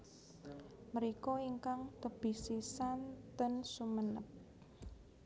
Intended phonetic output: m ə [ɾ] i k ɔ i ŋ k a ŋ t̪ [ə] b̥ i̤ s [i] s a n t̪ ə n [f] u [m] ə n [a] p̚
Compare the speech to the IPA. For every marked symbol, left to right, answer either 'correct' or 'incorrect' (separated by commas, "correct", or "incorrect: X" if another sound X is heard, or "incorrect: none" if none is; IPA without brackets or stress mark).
correct, correct, correct, incorrect: s, correct, incorrect: ə